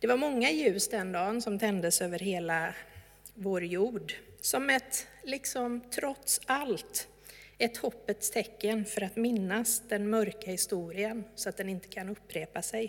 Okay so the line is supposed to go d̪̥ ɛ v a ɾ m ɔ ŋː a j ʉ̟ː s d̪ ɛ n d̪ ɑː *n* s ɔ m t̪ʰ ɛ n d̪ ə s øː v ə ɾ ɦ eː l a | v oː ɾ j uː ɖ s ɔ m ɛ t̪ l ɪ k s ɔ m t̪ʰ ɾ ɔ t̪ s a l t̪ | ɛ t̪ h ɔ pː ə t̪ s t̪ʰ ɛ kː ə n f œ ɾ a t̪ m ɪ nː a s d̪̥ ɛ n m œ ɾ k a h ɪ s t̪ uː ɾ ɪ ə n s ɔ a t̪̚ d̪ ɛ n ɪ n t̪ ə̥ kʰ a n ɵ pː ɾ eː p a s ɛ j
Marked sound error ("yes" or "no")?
no